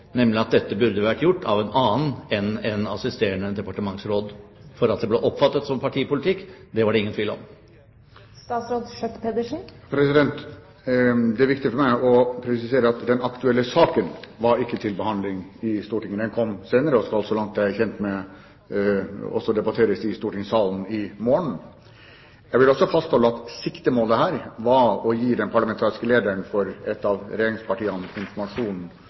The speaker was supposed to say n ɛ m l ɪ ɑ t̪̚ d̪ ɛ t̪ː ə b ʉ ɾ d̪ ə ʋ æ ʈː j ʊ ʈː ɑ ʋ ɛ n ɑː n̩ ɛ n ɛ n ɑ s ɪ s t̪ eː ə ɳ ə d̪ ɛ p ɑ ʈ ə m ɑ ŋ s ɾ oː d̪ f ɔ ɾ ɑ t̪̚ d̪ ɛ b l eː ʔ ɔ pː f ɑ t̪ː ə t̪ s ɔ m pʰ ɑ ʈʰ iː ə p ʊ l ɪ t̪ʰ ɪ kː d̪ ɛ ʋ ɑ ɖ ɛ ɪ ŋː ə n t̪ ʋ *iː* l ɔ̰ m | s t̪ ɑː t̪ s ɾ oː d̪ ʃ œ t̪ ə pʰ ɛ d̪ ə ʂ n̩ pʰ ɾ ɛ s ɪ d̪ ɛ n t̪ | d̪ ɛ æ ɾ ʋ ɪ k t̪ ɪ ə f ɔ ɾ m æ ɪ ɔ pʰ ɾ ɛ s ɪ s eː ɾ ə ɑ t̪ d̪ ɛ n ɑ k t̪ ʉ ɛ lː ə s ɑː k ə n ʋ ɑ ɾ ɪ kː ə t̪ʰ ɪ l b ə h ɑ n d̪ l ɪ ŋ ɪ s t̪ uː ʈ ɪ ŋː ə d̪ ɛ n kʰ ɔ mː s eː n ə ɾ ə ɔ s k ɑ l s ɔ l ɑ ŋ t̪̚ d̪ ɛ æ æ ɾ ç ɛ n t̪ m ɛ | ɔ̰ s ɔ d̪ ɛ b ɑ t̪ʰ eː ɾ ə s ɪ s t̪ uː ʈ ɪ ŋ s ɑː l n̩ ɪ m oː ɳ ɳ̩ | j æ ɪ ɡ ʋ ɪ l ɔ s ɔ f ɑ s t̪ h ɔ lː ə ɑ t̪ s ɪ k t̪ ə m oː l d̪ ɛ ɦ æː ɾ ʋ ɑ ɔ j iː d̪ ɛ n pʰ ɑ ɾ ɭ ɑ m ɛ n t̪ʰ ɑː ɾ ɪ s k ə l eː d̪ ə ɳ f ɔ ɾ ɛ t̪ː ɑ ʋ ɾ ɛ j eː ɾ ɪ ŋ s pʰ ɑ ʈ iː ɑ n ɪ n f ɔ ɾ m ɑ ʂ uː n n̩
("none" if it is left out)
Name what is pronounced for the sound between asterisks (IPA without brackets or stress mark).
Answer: iː